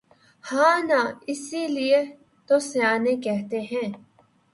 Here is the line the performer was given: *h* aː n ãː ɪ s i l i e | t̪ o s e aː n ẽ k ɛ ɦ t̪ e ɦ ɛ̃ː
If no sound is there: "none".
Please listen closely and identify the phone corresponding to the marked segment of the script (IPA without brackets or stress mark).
h